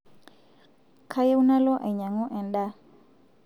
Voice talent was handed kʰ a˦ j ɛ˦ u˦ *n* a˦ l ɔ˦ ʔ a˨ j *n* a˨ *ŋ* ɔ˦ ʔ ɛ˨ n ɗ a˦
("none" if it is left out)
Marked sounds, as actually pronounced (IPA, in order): n, ɲ, ŋ

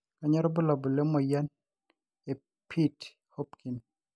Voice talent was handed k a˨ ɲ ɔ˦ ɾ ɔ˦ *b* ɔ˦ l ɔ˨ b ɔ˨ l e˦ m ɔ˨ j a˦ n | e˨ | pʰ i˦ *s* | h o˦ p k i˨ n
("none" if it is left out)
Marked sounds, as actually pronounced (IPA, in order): b, t

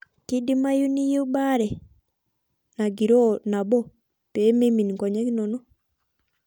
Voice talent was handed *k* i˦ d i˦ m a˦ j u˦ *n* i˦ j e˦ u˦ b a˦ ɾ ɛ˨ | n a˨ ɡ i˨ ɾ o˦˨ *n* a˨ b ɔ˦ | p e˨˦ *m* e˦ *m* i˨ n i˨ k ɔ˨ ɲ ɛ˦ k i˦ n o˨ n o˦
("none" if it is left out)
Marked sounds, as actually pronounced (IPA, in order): k, n, n, m, m

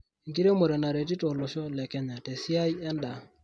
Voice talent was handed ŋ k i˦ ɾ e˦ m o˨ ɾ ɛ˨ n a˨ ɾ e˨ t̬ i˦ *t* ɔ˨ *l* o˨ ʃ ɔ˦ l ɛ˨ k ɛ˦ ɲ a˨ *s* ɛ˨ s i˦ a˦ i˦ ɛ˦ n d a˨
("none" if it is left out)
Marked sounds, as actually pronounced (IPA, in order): t, l, t

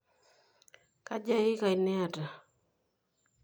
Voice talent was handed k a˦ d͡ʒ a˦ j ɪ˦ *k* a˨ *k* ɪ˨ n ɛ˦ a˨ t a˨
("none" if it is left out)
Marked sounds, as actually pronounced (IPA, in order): k, none

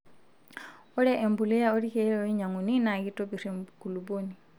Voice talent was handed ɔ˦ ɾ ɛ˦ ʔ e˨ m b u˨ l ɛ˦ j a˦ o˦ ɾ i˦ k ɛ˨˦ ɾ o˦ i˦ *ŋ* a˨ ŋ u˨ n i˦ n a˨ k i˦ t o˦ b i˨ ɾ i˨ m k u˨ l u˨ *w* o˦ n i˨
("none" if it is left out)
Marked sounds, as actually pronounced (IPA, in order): ɲ, b

